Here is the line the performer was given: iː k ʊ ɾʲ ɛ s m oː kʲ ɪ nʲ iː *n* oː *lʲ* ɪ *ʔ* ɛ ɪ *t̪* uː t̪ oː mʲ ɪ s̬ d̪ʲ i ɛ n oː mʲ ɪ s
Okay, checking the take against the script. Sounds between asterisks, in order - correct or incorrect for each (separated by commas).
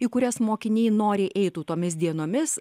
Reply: correct, incorrect, correct, correct